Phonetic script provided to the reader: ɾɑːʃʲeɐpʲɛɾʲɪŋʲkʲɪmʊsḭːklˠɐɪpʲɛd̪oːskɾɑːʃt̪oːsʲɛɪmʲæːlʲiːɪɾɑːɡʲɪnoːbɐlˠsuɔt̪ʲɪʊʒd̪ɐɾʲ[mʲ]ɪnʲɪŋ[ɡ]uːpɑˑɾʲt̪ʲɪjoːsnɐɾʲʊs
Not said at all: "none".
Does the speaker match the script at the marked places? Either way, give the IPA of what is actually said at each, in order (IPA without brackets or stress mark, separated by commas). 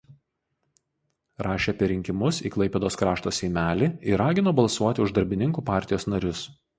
bʲ, k